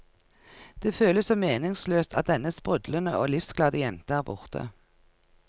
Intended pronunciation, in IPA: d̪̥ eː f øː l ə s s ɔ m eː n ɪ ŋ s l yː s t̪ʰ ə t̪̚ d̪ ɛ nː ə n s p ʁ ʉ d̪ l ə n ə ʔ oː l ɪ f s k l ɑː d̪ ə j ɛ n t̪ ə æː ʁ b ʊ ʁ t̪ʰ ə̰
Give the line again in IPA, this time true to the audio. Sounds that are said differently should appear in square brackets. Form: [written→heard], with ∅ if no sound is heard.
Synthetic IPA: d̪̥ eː f øː l ə s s ɔ m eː n ɪ ŋ s l [yː→øː] s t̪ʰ [ə→ɑ] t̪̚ d̪ ɛ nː ə [n→∅] s p ʁ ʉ d̪ l ə n ə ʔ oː l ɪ f s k l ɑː d̪ ə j ɛ n t̪ ə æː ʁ b ʊ ʁ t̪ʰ ə̰